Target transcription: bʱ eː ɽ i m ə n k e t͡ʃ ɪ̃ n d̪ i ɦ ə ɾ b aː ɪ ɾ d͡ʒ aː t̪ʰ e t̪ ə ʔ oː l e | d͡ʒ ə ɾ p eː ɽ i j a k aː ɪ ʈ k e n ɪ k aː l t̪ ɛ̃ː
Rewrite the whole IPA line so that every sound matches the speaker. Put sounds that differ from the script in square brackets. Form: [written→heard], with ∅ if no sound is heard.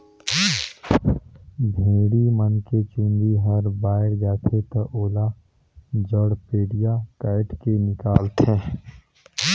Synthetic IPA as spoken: bʱ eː ɽ i m ə n k e t͡ʃ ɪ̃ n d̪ i ɦ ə ɾ b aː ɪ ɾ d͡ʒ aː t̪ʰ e t̪ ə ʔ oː l [e→a] | d͡ʒ ə [ɾ→ɽ] p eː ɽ i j a k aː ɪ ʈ k e n ɪ k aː l t̪ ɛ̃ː